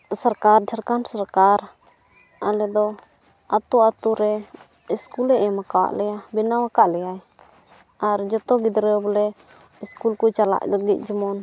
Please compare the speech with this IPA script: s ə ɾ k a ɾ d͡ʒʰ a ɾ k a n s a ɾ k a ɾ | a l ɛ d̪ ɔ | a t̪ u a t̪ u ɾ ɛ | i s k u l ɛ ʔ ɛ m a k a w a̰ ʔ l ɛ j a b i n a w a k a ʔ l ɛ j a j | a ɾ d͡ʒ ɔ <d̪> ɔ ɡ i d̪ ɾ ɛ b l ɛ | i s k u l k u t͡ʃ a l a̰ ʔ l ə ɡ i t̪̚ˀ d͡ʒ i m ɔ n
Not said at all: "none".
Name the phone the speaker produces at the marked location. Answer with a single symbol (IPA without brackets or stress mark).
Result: t̪